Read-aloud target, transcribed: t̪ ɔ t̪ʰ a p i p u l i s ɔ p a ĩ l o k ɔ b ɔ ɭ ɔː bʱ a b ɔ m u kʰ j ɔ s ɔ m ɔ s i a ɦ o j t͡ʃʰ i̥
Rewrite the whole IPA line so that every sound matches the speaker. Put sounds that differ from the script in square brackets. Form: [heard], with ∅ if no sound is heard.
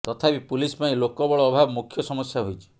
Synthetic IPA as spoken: t̪ ɔ t̪ʰ a p i p u l i s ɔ p a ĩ l o k ɔ b ɔ ɭ ɔː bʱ a b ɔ m u kʰ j ɔ s ɔ m ɔ s [j] a ɦ o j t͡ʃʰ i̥